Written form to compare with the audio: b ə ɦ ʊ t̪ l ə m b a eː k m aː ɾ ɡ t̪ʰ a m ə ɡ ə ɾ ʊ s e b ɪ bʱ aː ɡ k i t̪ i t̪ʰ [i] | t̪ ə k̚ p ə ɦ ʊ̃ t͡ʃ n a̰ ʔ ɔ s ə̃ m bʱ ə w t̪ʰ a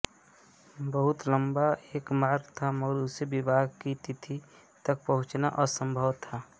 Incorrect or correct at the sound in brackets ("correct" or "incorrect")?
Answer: correct